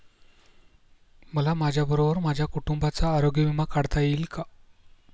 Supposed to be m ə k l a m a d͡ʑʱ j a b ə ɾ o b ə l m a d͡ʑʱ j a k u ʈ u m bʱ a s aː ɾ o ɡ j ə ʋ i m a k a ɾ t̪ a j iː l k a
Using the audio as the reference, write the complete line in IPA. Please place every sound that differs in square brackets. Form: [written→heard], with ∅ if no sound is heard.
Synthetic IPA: m ə [k→∅] l a m a d͡ʑʱ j a b ə ɾ o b ə [l→ɾ] m a d͡ʑʱ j a k u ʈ u m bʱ a [s→t͡s] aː ɾ o ɡ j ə ʋ i m a k a [ɾ→ɽ] t̪ a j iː l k a